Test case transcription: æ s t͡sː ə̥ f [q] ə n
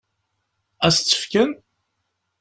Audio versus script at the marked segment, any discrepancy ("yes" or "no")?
yes